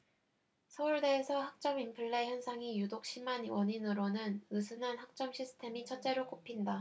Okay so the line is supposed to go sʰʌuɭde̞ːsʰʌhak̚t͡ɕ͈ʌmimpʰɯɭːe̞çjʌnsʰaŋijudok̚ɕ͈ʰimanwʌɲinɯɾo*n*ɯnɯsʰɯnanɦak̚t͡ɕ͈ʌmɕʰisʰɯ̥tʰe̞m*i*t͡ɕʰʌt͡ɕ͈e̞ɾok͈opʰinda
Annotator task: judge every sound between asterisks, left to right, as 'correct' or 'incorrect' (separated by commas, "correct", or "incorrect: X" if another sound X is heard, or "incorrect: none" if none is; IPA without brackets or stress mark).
correct, correct